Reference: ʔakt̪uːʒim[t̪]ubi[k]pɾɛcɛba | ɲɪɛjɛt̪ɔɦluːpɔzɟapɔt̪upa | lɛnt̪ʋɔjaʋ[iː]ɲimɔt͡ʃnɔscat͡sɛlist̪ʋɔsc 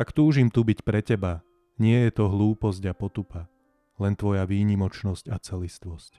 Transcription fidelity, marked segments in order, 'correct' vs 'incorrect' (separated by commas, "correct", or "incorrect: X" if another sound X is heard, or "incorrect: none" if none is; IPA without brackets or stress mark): correct, incorrect: c, correct